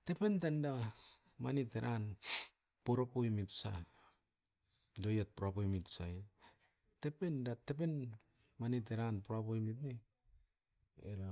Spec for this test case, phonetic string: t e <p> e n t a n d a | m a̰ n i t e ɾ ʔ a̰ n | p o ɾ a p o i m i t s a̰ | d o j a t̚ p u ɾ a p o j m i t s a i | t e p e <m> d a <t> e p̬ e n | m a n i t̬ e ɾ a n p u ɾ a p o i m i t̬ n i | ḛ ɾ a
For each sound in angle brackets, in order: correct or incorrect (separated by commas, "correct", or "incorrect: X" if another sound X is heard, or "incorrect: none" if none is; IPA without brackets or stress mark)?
correct, incorrect: n, correct